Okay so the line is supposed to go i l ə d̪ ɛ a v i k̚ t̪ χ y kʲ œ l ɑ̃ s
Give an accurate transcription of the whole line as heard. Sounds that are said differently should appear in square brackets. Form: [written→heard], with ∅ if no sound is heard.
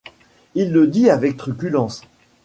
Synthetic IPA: i [l→lː] ə d̪ [ɛ→i] a v [i→ɛ] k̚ t̪ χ y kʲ [œ→y] l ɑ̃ s